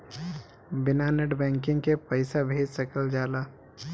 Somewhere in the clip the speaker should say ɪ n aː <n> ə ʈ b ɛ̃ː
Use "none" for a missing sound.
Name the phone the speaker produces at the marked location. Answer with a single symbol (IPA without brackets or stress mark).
n